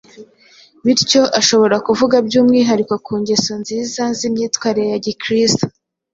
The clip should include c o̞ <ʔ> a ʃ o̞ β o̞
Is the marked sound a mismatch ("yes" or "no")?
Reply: no